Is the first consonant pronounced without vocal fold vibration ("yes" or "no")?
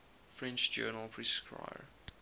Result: yes